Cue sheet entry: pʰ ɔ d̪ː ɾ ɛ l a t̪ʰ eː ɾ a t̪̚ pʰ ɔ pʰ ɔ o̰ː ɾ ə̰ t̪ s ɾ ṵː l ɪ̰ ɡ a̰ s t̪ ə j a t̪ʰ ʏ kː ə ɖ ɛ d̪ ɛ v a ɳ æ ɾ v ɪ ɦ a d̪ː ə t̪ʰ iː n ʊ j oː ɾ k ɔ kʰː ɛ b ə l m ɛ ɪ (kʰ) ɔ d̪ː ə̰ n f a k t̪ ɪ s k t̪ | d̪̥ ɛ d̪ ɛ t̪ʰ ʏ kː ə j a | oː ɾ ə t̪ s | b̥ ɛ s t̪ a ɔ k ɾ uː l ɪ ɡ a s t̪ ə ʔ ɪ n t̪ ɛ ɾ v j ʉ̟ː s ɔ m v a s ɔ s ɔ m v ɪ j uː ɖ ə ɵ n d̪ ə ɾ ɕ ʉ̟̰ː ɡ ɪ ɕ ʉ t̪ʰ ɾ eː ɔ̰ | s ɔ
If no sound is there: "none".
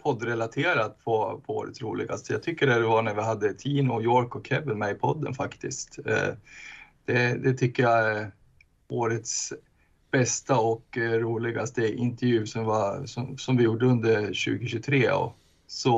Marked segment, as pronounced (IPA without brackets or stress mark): pʰ